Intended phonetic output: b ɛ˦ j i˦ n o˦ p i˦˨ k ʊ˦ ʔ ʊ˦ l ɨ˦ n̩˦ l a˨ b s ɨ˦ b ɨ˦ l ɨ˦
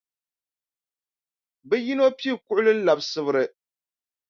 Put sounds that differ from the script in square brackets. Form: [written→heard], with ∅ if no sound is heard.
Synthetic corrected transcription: b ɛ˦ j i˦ n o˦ p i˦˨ k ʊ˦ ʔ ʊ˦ l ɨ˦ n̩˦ l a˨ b s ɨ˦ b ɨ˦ [l→ɾ] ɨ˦